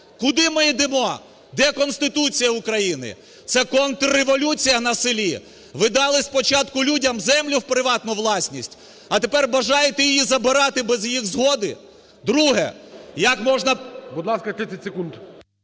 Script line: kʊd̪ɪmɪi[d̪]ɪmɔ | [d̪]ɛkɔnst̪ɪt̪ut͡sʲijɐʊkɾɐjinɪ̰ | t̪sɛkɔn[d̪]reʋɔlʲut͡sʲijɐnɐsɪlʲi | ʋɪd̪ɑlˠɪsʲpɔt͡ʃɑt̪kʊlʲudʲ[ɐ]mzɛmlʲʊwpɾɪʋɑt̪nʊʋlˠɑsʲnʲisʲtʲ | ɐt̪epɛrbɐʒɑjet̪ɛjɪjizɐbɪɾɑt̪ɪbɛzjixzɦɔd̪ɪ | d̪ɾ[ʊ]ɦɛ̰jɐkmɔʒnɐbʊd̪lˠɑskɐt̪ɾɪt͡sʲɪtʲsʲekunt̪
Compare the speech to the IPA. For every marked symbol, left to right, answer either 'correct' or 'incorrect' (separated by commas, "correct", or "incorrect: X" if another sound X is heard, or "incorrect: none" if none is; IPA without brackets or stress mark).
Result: correct, correct, incorrect: t̪, correct, incorrect: u